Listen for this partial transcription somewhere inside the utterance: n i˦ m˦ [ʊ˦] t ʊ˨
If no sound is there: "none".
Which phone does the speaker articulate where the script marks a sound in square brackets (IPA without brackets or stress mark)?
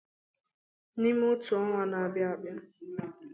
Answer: ʊ˦